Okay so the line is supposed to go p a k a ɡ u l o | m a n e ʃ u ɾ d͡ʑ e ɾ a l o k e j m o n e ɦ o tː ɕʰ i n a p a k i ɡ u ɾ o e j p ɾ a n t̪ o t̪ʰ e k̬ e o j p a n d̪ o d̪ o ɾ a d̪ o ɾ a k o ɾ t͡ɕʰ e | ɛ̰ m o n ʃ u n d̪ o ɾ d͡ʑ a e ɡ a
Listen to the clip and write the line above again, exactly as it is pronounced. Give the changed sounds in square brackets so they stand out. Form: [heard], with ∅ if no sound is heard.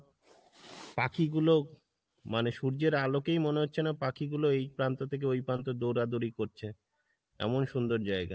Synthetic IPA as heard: p a k [i] ɡ u l o | m a n e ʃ u ɾ d͡ʑ e ɾ a l o k e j m o n e ɦ o tː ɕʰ [e] n a p a k i ɡ u [l] o e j p ɾ a n t̪ o t̪ʰ e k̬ e o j p a n [t̪] o d̪ o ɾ a d̪ o ɾ [i] k o ɾ t͡ɕʰ e | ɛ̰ m o n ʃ u n d̪ o ɾ d͡ʑ a e ɡ a

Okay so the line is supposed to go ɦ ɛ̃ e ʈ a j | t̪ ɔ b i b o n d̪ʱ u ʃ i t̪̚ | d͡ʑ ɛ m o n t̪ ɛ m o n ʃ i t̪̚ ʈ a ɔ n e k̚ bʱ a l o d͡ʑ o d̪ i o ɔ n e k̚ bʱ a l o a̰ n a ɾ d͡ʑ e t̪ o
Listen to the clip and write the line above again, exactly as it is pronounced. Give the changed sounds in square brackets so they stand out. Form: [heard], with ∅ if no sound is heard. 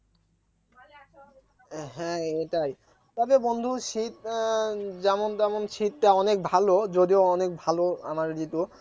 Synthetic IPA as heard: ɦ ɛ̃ e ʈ a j | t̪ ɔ b [e] b o n d̪ʱ u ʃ i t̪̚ | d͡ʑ ɛ m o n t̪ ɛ m o n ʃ i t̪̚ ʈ a ɔ n e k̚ bʱ a l o d͡ʑ o d̪ i o ɔ n e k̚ bʱ a l o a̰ [m] a ɾ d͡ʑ [i] t̪ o

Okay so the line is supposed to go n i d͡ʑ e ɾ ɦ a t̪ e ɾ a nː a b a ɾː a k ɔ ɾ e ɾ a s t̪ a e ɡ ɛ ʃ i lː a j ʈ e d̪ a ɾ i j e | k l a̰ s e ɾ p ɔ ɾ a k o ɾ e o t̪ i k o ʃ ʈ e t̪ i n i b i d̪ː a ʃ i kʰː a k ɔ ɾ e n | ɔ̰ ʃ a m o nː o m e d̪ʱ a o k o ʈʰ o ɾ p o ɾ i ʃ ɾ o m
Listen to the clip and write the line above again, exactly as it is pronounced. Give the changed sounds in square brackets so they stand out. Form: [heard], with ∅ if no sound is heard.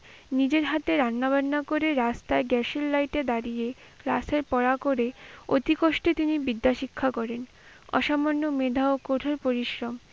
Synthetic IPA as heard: n i d͡ʑ e ɾ ɦ a t̪ e ɾ a nː a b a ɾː a k [o] ɾ e ɾ a s t̪ a e ɡ ɛ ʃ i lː a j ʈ e d̪ a ɾ i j e | k l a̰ s e ɾ p ɔ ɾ a k o ɾ e o t̪ i k o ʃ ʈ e t̪ i n i b i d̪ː a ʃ i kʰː a k ɔ ɾ e n | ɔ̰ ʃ a m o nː o m e d̪ʱ a o k o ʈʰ o ɾ p o ɾ i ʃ ɾ o m

